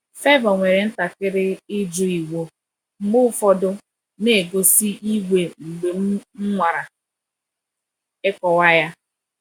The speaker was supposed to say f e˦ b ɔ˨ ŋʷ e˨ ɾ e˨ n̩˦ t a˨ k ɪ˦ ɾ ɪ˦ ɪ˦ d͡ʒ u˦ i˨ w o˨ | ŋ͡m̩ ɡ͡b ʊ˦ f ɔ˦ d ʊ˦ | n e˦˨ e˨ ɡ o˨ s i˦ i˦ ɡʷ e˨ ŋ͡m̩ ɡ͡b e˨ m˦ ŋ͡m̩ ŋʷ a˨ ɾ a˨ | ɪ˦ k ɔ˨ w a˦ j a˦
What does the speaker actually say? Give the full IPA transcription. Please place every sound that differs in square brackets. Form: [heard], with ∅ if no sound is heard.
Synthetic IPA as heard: f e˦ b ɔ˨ ŋʷ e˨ ɾ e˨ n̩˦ t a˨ k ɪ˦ ɾ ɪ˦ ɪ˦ d͡ʒ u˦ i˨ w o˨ | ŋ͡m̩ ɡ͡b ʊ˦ f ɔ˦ d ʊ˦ | n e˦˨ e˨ ɡ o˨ s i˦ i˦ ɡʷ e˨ ŋ͡m̩ ɡ͡b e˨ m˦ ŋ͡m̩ ŋʷ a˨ ɾ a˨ | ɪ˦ k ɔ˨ w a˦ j a˦